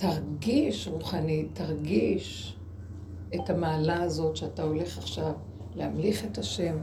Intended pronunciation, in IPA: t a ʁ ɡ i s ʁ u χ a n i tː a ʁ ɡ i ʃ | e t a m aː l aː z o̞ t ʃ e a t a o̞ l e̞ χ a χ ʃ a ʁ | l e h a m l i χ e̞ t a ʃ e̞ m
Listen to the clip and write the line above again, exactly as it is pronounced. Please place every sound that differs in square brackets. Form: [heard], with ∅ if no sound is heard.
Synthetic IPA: t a ʁ ɡ i [ʃ] ʁ u χ a n i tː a ʁ ɡ i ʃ | e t a m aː l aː z o̞ t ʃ e a t a o̞ l e̞ χ a χ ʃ a [v] | l e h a m l i χ e̞ t a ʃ e̞ m